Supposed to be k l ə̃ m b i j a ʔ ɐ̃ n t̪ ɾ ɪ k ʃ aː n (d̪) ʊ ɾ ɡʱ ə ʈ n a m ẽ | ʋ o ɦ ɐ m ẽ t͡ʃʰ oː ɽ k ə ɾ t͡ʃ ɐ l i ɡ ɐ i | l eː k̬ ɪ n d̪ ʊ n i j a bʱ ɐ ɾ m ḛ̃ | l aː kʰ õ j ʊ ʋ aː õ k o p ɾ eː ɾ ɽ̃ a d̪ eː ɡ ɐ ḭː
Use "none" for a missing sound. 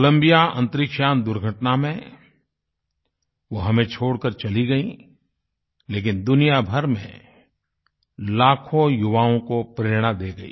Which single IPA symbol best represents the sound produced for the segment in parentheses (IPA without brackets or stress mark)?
d̪